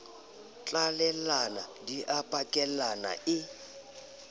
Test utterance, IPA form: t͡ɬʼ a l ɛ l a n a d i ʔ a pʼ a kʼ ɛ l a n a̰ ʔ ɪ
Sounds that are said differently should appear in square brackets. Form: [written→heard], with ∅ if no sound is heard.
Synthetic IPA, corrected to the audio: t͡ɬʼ a l ɛ l a n a d i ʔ a pʼ a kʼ ɛ l a n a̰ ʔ ɪ

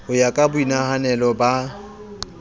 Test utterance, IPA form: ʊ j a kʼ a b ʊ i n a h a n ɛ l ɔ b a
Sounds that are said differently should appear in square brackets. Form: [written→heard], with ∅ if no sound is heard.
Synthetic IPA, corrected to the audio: ʊ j a kʼ a b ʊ i n a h a n ɛ l ɔ b a

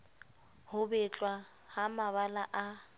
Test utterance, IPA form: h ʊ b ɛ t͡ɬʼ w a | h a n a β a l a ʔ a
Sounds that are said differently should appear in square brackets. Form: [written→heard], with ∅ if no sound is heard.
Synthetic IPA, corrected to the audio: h ʊ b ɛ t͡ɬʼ w a | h a [n→m] a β a l a ʔ a

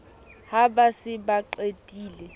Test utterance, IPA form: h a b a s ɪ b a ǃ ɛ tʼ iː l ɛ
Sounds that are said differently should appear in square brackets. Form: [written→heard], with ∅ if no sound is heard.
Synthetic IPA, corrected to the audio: h a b a s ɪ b a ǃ [ɛ→e] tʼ iː l ɛ

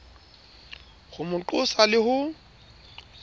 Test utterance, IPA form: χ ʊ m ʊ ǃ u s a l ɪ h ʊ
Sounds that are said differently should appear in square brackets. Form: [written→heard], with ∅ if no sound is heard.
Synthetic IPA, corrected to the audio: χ ʊ m ʊ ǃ [u→ʊ] s a l ɪ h ʊ

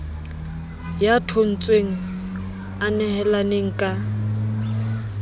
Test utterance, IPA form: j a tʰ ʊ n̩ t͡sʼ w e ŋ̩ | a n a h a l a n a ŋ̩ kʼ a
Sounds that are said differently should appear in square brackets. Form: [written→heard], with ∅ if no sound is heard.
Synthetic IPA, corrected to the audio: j a tʰ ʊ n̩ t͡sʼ w e ŋ̩ | a n [a→ɛ] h [a→ɛ] l a n [a→e] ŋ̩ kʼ a

